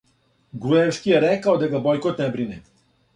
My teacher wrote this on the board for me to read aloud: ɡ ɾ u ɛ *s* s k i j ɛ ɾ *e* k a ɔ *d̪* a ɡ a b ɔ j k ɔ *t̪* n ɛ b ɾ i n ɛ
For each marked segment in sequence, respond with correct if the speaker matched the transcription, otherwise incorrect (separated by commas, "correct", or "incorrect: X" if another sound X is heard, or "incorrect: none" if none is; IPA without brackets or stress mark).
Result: incorrect: f, incorrect: ɛ, correct, correct